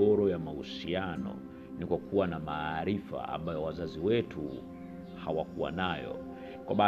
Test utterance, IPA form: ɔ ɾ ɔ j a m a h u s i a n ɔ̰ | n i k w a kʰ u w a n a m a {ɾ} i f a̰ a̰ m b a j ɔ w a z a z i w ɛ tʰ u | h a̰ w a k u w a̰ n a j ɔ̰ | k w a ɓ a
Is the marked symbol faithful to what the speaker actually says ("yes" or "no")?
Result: yes